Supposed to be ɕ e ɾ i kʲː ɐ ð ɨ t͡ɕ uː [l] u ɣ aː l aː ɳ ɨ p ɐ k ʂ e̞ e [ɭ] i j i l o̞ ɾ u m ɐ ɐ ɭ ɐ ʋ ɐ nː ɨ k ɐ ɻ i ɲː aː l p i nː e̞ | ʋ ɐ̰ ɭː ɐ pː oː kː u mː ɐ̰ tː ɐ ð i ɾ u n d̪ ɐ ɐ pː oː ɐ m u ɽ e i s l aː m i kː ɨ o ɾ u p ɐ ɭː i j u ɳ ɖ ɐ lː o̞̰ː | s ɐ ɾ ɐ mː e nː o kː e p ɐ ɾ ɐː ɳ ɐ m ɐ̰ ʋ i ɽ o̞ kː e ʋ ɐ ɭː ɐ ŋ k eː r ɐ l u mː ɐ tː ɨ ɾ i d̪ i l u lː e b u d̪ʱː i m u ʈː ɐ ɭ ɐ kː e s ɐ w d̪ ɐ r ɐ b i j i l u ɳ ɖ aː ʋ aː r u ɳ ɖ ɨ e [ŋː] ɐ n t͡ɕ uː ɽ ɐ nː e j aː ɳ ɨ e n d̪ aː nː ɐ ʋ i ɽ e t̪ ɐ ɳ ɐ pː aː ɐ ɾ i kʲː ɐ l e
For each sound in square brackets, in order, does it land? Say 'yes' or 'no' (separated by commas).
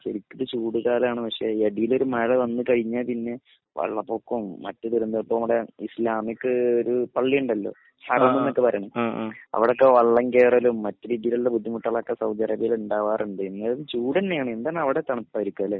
no, no, no